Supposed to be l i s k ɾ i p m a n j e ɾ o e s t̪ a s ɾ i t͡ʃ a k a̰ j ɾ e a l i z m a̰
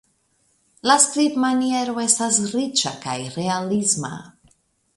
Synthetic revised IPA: l a s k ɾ i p m a n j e ɾ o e s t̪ a s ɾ i t͡ʃ a k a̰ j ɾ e a l i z m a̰

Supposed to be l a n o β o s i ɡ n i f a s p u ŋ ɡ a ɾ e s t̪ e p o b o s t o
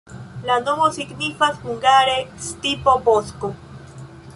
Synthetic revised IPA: l a n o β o s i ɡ n i f a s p u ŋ ɡ a ɾ e s t̪ i p o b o s k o

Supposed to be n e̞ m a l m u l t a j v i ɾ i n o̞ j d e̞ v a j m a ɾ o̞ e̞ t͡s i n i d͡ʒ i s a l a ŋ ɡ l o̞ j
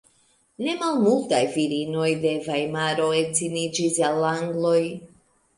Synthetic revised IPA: n e̞ m a l m u l t a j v i ɾ i n o̞ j d e̞ v a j m a ɾ o̞ e̞ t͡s i n i d͡ʒ i s a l a ŋ ɡ l o̞ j

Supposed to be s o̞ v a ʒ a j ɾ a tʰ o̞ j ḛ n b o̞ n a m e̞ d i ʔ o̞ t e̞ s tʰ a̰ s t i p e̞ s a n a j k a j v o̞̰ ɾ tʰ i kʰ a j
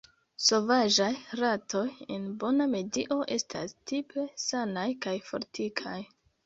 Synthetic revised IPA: s o̞ v a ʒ a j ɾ a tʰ o̞ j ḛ n b o̞ n a m e̞ d i ʔ o̞ ʔ e̞ s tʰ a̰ s t i p e̞ s a n a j k a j f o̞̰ ɾ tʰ i kʰ a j

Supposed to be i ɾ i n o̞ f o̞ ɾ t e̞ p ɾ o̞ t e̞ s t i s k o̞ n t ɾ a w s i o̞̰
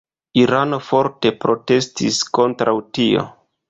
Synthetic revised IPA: i ɾ a n o̞ f o̞ ɾ t e̞ p ɾ o̞ t e̞ s t i s k o̞ n t ɾ a w t i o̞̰

